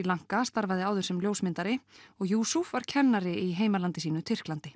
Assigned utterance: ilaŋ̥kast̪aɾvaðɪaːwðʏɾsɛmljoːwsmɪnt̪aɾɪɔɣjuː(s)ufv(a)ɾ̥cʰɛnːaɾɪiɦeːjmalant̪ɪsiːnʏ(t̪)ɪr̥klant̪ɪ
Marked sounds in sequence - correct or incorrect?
correct, correct, incorrect: t̪ʰ

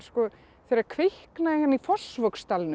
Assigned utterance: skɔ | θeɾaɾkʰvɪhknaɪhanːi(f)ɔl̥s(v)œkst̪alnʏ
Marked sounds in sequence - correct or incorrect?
correct, correct

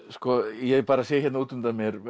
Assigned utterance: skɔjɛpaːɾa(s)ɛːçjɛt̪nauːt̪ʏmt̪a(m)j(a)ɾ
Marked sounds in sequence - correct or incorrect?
correct, correct, incorrect: ɛ

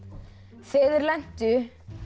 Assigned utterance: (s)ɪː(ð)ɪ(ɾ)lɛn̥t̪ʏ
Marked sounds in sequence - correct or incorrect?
incorrect: f, correct, correct

